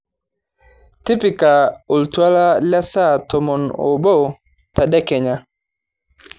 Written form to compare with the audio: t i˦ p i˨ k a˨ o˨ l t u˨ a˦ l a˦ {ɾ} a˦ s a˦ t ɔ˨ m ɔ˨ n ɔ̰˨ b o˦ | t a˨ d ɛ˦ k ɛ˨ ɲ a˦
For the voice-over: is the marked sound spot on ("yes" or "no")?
no